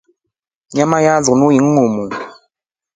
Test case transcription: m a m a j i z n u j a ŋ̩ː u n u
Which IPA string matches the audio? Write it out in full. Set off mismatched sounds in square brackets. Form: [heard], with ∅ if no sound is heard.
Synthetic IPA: [ɲ] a m a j [a] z n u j [i] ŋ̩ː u [m] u

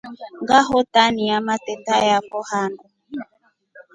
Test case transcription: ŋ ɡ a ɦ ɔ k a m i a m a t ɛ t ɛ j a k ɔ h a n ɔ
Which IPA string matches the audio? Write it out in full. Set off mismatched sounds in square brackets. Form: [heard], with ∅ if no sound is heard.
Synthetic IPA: ŋ ɡ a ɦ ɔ [t] a [n] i a m a t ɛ t [a] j a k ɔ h a n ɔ

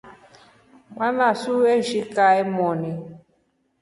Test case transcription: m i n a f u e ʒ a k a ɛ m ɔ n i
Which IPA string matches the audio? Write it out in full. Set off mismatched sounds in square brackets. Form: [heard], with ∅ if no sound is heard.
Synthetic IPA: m [a] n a [s] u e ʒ [i] k a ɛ m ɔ n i

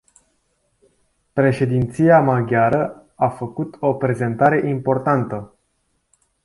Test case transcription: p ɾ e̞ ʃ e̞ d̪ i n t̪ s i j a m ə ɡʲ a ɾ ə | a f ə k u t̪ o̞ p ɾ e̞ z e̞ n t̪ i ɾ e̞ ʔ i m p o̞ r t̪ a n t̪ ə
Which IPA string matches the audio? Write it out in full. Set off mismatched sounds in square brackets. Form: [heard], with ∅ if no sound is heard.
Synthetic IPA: p ɾ e̞ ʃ e̞ d̪ i n t̪ s i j a m [a] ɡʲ a ɾ ə | a f ə k u t̪ o̞ p ɾ e̞ z e̞ n t̪ [a] ɾ e̞ ʔ i m p o̞ r t̪ a n t̪ ə

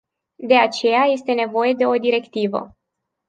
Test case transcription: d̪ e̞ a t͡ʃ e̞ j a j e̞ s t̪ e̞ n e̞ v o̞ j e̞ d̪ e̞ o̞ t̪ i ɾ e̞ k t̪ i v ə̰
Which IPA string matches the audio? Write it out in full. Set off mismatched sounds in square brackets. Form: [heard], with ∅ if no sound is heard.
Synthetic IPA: d̪ e̞ a t͡ʃ e̞ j a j e̞ s t̪ e̞ n e̞ v o̞ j e̞ d̪ e̞ o̞ [d̪] i ɾ e̞ k t̪ i v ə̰

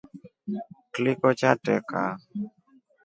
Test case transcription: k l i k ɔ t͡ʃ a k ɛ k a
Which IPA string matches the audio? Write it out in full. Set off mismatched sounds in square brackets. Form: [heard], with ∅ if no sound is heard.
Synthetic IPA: k l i k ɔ t͡ʃ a [t] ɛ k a

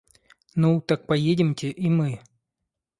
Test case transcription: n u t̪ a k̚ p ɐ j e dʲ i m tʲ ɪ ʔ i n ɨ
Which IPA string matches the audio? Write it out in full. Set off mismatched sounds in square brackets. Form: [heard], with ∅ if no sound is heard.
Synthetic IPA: n u t̪ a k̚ p ɐ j e dʲ [ɪ] m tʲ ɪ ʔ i [m] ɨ

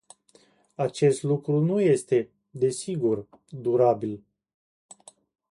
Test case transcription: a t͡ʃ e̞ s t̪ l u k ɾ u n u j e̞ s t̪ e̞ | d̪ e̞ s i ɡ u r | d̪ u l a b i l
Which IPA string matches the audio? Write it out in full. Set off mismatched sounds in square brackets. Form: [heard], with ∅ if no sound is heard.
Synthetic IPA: a t͡ʃ e̞ s t̪ l u k ɾ u n u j e̞ s t̪ e̞ | d̪ e̞ s i ɡ u r | d̪ u [ɾ] a b i l

